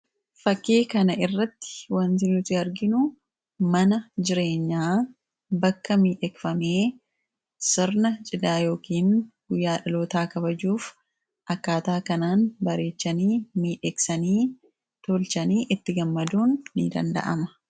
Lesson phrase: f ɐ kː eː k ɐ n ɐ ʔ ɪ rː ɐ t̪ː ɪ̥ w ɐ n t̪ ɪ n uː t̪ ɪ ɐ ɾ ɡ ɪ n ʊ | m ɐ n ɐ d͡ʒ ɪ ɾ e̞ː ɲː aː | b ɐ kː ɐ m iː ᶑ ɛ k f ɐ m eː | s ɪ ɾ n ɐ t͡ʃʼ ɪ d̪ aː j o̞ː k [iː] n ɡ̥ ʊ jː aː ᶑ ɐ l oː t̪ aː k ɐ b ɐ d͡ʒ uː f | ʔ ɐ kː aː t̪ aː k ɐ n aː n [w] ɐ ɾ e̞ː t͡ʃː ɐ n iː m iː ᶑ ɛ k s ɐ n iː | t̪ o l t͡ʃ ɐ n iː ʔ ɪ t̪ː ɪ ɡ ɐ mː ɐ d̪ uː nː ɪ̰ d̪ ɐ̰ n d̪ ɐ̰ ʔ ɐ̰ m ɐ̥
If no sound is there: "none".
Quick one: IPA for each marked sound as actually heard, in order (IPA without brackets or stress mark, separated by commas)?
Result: iː, b